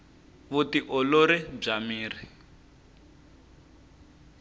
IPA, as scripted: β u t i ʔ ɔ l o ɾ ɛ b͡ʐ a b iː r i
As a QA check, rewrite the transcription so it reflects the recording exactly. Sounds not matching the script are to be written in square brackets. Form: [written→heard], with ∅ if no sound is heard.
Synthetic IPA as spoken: β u t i ʔ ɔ l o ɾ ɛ b͡ʐ a [b→m] iː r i